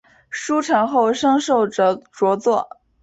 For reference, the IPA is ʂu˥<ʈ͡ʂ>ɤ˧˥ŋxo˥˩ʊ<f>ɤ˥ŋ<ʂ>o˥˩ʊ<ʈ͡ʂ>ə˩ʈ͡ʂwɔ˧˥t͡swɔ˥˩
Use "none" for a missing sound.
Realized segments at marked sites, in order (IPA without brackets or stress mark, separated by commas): ʈ͡ʂʰ, ʂ, ʂ, ʈ͡ʂ